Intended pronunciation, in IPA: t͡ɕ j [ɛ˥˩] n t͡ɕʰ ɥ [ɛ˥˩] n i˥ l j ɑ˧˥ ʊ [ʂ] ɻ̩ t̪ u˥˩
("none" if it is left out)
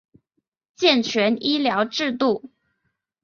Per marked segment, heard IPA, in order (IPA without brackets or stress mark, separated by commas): ɛ˥˩, ɛ˧˥, ʈ͡ʂ